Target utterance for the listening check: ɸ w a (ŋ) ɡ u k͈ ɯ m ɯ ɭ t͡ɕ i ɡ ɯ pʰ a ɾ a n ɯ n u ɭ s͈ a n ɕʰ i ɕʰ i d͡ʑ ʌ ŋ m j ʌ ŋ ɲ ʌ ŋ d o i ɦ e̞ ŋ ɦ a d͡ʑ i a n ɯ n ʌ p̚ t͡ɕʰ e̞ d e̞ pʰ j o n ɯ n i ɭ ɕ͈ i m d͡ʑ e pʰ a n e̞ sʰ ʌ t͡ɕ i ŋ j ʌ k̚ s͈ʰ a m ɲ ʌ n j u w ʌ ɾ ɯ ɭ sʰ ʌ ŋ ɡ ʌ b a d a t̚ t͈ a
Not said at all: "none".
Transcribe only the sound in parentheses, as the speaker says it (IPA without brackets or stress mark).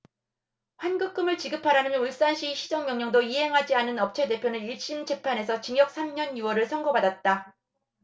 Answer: n